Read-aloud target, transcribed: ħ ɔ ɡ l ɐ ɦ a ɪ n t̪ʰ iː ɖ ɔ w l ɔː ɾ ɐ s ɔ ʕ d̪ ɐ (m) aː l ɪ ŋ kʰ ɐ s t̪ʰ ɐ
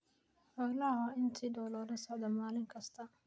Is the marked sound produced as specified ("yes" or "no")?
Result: yes